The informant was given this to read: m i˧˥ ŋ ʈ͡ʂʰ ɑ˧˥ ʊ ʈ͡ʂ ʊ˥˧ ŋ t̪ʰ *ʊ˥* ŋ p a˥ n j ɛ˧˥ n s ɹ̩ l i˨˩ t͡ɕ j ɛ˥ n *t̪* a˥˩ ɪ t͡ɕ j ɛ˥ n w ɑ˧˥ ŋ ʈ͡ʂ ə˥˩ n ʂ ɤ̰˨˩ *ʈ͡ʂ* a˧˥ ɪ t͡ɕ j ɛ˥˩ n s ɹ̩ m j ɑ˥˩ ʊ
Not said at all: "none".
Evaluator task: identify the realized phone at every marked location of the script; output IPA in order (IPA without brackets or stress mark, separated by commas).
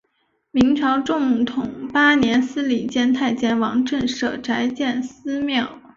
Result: ʊ˨˩, t̪ʰ, ʈ͡ʂ